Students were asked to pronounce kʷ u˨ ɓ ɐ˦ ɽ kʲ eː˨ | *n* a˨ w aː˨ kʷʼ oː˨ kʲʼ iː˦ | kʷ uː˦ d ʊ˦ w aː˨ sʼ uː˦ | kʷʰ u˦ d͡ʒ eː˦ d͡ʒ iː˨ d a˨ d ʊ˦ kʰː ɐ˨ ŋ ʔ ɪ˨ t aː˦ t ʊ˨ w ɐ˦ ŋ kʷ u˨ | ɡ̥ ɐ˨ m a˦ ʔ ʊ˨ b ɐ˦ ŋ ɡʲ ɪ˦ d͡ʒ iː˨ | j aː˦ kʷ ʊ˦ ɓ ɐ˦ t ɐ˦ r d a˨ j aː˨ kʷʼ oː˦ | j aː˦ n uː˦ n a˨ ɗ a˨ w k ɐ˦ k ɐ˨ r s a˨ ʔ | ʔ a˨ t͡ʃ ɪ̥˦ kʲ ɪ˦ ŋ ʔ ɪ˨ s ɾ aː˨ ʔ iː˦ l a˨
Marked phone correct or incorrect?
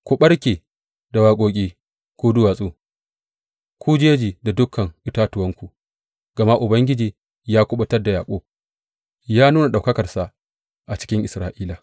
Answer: incorrect